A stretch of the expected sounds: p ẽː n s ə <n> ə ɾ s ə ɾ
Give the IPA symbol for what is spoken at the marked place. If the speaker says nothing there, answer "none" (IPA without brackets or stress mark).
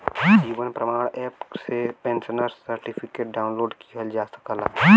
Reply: n